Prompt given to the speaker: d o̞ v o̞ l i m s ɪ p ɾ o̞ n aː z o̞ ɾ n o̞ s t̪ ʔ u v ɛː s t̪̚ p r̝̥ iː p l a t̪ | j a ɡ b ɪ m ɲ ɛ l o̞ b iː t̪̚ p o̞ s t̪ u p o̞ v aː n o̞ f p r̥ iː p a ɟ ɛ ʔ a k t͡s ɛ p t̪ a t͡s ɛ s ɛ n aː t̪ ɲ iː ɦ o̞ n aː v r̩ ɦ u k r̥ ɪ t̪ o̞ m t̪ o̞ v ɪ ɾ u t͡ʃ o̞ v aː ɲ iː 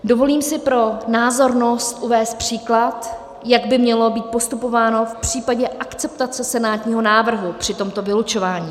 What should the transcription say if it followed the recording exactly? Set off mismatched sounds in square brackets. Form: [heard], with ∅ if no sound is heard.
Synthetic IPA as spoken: d o̞ v o̞ l [iː] m s ɪ p ɾ o̞ n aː z o̞ ɾ n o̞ s t̪ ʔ u v ɛː s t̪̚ p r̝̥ iː [k] l a t̪ | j a ɡ b ɪ m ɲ ɛ l o̞ b iː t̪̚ p o̞ s t̪ u p o̞ v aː n o̞ f p r̥ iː p a ɟ ɛ ʔ a k t͡s ɛ p t̪ a t͡s ɛ s ɛ n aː t̪ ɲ iː ɦ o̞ n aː v r̩ ɦ u [p] r̥ ɪ t̪ o̞ m t̪ o̞ v ɪ [l] u t͡ʃ o̞ v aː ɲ iː